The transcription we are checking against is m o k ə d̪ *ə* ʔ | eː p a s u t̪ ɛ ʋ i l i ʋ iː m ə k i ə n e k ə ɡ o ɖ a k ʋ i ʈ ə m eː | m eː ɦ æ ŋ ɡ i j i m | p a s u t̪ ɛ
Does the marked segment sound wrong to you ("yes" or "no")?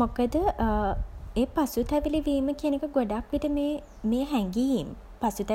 no